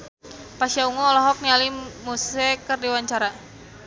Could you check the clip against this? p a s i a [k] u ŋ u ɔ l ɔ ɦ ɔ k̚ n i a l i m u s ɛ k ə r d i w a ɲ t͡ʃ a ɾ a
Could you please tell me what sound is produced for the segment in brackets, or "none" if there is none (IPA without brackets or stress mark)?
none